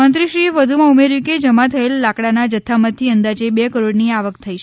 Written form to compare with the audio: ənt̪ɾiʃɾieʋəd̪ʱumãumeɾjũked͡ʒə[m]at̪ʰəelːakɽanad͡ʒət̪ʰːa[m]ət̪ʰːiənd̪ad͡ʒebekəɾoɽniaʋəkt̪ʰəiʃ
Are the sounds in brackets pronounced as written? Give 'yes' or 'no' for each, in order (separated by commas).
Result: yes, yes